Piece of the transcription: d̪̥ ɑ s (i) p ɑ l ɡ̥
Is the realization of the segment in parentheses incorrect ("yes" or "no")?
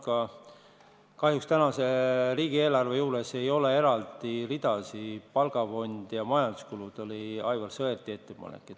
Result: no